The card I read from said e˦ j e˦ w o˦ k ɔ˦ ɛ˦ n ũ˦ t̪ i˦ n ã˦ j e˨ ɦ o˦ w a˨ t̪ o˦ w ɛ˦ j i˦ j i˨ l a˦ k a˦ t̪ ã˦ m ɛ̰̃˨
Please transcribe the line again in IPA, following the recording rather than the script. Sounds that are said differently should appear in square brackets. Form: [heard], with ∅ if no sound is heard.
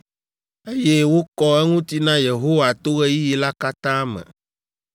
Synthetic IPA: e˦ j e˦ w o˦ k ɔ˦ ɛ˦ [ŋ] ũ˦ t̪ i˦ n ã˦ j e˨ ɦ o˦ w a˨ t̪ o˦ [ɣ] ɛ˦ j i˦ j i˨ l a˦ k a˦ t̪ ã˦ m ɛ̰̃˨